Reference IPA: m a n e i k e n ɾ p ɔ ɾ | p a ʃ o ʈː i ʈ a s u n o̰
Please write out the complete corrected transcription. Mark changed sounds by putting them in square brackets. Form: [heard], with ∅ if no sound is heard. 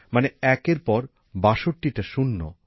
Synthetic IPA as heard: m a n e [ɛ] k e [∅] ɾ p ɔ ɾ | [b] a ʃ o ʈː i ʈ a [ʃ] u [nː] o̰

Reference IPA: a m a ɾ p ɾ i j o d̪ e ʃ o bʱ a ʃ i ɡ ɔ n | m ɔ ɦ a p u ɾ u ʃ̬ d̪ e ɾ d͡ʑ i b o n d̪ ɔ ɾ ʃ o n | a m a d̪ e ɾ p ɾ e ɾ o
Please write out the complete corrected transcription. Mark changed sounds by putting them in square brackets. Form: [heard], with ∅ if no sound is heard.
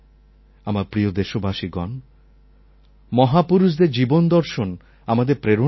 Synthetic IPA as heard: a m a ɾ p ɾ i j o d̪ e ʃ o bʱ a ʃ i ɡ ɔ n | m ɔ ɦ a p u ɾ u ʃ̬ d̪ e ɾ d͡ʑ i b o n d̪ ɔ ɾ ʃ o n | a m a d̪ e ɾ p ɾ e ɾ o

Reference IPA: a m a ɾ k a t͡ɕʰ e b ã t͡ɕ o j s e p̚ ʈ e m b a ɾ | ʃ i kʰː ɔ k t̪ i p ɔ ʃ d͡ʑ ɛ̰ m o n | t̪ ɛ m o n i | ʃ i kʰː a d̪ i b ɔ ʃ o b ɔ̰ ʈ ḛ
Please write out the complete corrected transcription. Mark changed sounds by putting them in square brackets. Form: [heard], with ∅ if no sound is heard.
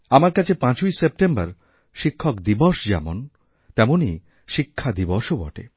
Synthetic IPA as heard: a m a ɾ k a t͡ɕʰ e [p] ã t͡ɕ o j s e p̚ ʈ e m b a ɾ | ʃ i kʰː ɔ k [d̪] i [b] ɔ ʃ d͡ʑ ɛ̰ m o n | t̪ ɛ m o n i | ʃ i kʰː a d̪ i b ɔ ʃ o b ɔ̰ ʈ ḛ

